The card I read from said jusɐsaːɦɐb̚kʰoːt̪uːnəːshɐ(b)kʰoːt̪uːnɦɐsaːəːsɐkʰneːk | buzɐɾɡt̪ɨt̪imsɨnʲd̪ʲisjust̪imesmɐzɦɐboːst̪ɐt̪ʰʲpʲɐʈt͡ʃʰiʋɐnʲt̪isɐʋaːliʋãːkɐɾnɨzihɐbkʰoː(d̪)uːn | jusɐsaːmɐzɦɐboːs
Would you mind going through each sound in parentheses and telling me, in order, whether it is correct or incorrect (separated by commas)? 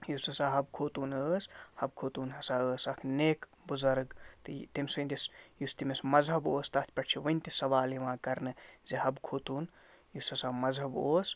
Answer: correct, incorrect